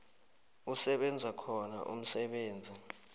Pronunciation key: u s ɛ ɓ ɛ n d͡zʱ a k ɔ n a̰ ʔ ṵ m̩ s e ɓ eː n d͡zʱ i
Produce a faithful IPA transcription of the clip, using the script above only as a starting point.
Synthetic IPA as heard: u s ɛ ɓ ɛ n d͡zʱ a kʰ ɔ n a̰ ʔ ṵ m̩ s ɛ ɓ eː n d͡zʱ i